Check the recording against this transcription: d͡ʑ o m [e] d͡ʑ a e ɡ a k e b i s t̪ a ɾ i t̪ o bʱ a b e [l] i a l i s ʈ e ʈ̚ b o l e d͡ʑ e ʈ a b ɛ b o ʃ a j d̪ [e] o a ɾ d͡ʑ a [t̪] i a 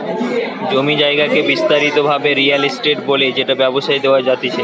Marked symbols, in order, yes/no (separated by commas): no, no, yes, yes